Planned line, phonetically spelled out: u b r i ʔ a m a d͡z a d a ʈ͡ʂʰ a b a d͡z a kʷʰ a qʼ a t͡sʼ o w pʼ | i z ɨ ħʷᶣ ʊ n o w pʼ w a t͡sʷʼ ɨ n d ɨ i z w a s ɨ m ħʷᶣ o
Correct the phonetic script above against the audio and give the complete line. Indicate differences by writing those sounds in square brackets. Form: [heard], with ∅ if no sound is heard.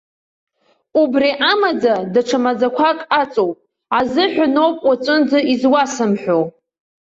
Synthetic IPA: u b r i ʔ a m a d͡z a d a ʈ͡ʂʰ a [m] a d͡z a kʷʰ a [kʼ] a t͡sʼ o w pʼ | [a] z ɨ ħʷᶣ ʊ n o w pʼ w a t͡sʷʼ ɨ n [d͡z] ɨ i z w a s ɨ m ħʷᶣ o